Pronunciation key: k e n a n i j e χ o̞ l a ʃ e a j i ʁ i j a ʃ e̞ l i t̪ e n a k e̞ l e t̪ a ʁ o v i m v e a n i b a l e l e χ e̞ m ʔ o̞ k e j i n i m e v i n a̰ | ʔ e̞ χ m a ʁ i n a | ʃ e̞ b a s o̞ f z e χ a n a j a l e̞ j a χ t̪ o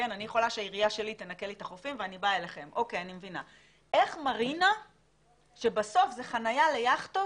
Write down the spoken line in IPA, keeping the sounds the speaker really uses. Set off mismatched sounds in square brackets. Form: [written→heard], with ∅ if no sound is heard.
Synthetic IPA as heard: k e n a n i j e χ o̞ l a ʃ e a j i ʁ i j a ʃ e̞ l i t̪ e n a k e̞ l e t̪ a [ʁ→χ] o [v→f] i m v e a n i b a [l→∅] e l e χ e̞ m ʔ o̞ k e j [i→a] n i m e v i n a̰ | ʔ e̞ χ m a ʁ i n a | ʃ e̞ b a s o̞ f z e χ a n a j a l e̞ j a χ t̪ o